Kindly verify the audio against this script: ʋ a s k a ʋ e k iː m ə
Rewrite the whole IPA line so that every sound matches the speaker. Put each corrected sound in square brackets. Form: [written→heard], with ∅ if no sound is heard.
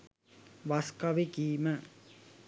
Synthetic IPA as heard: ʋ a s k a ʋ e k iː m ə